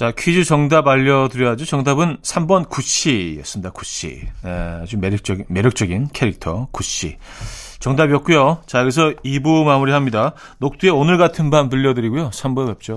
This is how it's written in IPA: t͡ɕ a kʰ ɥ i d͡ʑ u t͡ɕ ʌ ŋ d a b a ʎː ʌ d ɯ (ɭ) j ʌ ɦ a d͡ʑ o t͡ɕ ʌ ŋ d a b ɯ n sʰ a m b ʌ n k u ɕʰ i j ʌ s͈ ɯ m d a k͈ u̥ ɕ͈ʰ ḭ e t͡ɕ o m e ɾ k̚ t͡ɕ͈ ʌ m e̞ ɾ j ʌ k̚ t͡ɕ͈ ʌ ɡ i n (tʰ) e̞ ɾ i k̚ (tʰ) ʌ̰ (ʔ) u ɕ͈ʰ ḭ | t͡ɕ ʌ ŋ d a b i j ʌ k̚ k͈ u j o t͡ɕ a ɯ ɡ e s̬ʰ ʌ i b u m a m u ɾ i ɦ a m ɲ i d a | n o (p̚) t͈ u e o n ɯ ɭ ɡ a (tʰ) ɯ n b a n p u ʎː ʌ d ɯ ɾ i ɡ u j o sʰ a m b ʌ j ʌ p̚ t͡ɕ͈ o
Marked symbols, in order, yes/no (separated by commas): no, no, yes, no, no, yes